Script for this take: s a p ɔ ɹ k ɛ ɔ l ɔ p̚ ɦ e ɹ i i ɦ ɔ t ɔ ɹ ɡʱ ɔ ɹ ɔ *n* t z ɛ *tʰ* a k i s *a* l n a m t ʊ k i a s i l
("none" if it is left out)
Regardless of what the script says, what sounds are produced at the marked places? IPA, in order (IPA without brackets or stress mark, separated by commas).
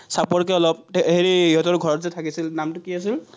none, tʰ, i